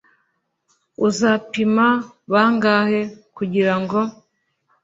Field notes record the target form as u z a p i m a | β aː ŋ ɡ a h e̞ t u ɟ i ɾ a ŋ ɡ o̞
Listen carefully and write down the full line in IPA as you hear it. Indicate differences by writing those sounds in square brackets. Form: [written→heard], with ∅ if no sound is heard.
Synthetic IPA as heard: u z a p i m a | β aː ŋ ɡ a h e̞ [t→k] u ɟ i ɾ a ŋ ɡ o̞